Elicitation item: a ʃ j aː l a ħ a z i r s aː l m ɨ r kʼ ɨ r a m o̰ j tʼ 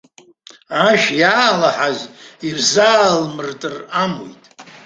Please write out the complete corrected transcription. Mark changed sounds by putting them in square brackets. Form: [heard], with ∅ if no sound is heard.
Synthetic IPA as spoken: a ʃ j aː l a ħ a z i r [z] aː l m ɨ r [tʼ] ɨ r a m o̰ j tʼ